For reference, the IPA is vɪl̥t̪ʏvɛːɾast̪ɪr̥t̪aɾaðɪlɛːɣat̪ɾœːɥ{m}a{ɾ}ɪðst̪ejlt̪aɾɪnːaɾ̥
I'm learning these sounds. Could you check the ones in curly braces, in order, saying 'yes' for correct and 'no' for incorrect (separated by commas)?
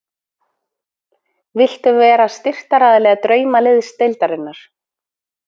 yes, no